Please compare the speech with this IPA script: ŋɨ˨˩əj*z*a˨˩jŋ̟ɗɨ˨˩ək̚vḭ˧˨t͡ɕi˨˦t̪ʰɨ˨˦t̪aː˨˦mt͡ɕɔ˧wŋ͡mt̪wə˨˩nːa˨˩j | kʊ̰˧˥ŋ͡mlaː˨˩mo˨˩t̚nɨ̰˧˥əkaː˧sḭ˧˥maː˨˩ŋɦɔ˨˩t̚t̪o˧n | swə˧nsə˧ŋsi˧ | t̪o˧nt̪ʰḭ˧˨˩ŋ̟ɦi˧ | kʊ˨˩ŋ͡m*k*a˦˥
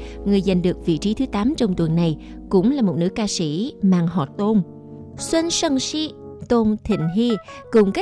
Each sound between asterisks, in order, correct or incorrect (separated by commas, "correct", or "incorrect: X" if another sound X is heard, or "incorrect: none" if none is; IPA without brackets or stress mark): correct, correct